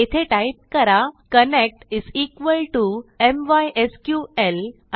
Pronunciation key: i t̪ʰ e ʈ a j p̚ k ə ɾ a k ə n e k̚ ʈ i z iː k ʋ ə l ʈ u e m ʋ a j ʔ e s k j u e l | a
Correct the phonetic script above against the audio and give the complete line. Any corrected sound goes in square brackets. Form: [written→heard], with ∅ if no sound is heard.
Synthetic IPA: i t̪ʰ e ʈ a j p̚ k ə ɾ a k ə n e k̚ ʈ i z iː k ʋ ə l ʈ u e m ʋ a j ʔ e s k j u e l | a